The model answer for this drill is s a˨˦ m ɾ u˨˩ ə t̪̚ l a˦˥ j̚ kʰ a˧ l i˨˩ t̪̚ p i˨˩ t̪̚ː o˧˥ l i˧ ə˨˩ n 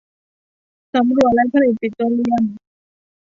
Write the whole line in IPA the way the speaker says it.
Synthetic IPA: s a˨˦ m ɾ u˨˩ ə t̪̚ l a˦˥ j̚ pʰ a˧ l i˨˩ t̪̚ p i˨˩ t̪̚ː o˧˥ l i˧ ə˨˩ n